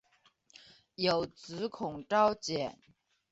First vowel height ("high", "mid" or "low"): mid